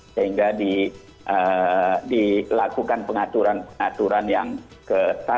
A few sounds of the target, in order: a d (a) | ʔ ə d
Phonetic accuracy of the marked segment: incorrect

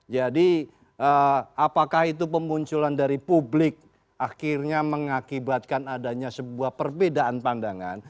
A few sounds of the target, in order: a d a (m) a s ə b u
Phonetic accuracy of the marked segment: incorrect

